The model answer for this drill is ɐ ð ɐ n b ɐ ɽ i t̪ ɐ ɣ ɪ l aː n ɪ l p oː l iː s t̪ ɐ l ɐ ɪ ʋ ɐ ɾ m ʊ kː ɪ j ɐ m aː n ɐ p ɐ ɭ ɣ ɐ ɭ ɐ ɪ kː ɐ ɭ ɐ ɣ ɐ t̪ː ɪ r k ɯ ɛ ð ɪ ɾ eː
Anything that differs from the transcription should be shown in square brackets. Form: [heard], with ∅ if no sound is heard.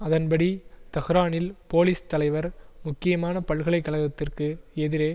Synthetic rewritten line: ɐ ð ɐ n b ɐ ɽ i t̪ ɐ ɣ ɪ [ɾ] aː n ɪ l p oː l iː s t̪ ɐ l ɐ ɪ ʋ ɐ ɾ m ʊ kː ɪ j ɐ m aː n ɐ p ɐ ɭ ɣ ɐ ɭ ɐ ɪ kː ɐ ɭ ɐ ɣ ɐ t̪ː ɪ r k ɯ ɛ ð ɪ ɾ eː